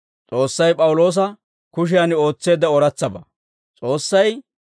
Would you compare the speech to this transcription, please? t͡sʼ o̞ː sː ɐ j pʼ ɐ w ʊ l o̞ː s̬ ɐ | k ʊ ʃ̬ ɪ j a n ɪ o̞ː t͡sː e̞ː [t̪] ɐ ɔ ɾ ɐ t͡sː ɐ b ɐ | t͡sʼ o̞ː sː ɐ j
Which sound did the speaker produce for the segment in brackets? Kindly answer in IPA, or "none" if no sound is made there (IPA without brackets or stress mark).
d̪